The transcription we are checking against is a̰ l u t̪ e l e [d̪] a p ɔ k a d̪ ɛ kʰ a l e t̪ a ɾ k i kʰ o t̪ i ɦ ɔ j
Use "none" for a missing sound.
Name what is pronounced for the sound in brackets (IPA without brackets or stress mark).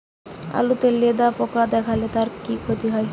d̪